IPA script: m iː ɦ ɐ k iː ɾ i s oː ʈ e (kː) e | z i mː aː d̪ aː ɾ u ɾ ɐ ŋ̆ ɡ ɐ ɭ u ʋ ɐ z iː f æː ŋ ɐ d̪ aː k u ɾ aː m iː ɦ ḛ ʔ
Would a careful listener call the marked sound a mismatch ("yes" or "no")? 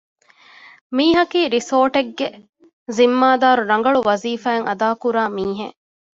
yes